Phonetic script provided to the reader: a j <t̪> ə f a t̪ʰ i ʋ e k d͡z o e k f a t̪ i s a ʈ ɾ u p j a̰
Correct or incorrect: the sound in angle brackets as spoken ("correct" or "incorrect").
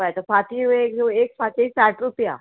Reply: correct